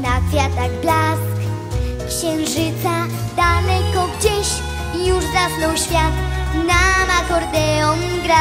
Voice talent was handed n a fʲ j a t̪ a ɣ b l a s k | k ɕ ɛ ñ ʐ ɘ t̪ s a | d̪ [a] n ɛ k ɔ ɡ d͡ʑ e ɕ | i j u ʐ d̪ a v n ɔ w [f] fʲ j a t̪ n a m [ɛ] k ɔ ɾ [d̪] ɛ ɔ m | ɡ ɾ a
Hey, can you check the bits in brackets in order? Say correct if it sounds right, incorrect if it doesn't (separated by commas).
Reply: correct, incorrect, incorrect, correct